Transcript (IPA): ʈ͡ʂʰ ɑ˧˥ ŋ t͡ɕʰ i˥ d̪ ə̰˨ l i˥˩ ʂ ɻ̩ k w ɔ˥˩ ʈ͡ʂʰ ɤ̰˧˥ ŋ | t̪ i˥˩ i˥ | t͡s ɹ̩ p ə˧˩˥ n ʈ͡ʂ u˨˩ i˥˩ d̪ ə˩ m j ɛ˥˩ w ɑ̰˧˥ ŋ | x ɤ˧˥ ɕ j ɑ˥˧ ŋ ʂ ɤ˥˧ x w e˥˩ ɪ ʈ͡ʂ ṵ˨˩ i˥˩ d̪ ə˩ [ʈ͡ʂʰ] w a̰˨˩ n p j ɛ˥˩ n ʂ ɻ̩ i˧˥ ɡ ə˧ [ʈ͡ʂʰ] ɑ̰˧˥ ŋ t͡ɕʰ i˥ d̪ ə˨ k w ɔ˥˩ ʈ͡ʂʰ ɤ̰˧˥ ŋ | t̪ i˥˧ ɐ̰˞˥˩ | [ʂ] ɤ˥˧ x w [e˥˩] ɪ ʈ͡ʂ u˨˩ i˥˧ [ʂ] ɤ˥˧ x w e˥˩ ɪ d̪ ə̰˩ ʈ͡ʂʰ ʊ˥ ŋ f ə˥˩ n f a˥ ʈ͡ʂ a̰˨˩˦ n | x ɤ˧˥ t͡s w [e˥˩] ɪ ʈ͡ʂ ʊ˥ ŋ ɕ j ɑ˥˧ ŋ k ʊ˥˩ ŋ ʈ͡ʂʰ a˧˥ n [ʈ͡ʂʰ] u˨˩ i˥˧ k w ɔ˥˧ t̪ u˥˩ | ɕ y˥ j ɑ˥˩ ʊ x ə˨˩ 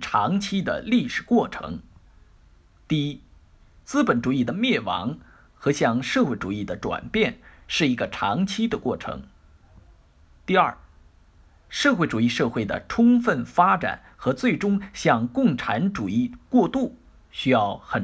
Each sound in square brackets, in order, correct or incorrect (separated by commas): incorrect, correct, correct, correct, correct, correct, incorrect